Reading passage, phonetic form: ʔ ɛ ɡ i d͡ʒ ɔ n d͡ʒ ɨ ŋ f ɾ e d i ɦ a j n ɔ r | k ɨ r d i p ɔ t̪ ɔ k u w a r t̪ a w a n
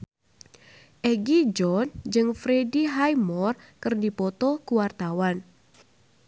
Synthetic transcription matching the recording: ʔ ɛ ɡ i d͡ʒ ɔ n d͡ʒ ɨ ŋ f ɾ e d i ɦ a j m ɔ r | k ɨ r d i p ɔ t̪ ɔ k u w a r t̪ a w a n